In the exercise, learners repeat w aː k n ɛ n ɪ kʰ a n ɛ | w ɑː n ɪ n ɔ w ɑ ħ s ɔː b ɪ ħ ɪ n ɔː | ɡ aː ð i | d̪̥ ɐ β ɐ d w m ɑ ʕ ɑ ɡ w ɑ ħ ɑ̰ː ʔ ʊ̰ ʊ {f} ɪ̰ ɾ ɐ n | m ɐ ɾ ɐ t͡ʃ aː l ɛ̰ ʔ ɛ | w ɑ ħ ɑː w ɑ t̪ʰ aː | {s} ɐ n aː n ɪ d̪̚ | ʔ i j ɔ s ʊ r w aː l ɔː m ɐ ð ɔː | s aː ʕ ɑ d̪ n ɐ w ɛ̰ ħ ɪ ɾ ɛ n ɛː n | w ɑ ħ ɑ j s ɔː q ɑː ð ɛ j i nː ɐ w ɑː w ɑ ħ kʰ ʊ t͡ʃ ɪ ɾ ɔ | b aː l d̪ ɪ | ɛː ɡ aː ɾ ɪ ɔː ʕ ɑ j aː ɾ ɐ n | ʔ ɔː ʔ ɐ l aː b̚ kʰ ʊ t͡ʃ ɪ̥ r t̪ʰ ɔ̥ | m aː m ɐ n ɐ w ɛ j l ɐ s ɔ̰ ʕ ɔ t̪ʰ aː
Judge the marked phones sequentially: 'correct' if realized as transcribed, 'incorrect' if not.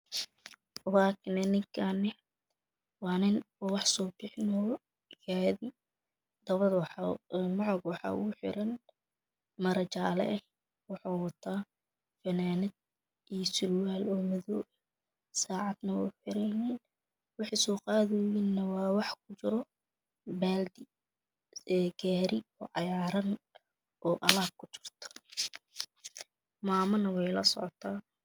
incorrect: ħ, incorrect: f

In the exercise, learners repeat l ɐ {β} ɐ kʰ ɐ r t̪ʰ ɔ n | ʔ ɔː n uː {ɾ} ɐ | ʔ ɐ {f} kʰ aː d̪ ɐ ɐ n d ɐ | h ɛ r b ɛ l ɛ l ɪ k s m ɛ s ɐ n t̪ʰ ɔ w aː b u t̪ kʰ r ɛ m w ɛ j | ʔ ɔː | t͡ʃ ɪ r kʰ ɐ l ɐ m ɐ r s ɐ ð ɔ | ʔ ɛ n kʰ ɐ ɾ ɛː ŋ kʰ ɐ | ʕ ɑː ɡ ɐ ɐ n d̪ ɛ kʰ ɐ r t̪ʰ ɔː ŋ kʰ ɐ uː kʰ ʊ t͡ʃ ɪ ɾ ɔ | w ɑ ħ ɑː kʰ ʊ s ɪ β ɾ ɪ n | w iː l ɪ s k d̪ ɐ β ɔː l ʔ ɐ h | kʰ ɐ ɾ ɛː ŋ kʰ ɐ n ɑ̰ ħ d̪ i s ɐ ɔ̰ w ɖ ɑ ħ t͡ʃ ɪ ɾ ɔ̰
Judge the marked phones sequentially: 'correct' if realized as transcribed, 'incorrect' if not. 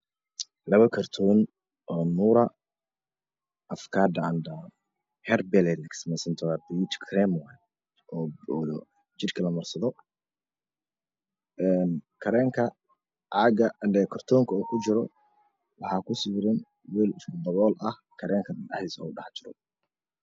correct, correct, correct

